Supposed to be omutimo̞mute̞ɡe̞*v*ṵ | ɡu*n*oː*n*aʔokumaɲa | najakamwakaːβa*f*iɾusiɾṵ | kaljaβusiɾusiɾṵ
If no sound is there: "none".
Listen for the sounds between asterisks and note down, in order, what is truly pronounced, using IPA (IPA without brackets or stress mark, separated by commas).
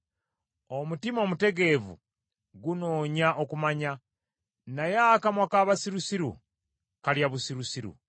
v, n, ɲ, s